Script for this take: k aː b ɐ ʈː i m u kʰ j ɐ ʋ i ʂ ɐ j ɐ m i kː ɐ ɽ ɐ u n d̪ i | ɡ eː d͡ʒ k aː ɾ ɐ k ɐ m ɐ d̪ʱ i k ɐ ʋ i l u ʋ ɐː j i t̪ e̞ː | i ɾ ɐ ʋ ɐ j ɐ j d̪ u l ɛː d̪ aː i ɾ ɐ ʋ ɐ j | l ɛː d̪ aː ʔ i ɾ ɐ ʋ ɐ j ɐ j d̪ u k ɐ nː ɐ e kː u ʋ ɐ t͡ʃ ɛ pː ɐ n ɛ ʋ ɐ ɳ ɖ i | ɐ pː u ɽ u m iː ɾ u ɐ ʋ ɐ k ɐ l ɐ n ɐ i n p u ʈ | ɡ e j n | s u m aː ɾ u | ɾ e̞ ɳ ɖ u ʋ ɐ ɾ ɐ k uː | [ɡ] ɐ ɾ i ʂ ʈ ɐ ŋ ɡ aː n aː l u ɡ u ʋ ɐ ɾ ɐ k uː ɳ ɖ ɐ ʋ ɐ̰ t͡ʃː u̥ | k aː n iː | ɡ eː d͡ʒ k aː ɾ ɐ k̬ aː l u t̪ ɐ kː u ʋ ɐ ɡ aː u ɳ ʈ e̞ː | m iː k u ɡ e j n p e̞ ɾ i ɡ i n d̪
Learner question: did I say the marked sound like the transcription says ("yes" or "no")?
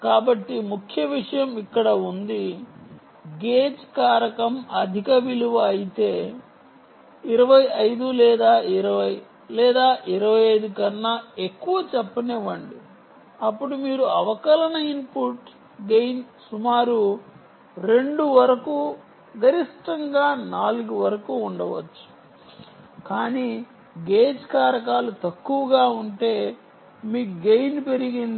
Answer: yes